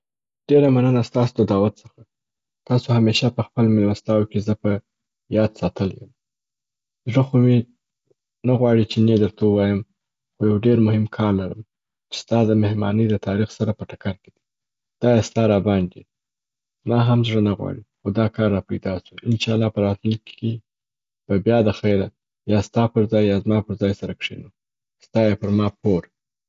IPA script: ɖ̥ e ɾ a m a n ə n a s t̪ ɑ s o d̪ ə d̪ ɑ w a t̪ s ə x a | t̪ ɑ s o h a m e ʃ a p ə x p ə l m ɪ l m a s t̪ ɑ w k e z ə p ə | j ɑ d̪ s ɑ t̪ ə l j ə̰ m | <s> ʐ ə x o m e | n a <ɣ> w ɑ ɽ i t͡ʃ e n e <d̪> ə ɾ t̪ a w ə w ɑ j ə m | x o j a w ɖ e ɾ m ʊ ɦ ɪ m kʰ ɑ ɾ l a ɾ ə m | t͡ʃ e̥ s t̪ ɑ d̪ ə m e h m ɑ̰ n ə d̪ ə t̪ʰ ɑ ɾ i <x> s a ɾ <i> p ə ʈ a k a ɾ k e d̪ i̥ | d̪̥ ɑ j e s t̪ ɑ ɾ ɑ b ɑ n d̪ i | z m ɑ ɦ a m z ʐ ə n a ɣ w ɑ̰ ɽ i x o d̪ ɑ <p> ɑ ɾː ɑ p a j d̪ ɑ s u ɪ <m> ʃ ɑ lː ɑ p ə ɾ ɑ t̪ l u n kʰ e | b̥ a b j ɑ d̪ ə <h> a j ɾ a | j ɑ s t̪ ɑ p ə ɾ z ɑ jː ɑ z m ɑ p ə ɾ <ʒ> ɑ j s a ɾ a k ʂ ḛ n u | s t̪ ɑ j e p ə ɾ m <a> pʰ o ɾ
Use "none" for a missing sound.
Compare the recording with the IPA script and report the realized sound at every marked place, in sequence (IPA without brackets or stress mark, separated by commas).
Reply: z, ɣ, d̪, x, a, k, n, x, z, ɑ